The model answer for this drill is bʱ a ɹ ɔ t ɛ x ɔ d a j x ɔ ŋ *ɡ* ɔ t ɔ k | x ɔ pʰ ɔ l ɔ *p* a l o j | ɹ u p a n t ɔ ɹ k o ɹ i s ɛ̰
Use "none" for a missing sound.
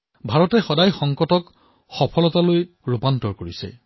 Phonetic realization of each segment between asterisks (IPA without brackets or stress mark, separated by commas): k, t